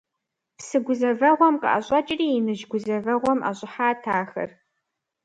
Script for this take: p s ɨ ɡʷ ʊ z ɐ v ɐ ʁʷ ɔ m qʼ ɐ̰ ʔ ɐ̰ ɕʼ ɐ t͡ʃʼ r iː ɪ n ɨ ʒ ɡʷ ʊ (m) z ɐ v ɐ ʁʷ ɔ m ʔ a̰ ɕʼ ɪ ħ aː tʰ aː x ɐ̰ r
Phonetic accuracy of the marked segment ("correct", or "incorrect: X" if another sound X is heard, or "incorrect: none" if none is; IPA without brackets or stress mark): incorrect: none